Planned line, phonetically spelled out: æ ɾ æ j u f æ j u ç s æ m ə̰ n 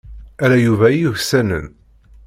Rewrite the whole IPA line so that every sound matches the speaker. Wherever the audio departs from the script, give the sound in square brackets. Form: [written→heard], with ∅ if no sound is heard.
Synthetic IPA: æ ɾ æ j u [f→v] æ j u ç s æ [m→n] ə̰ n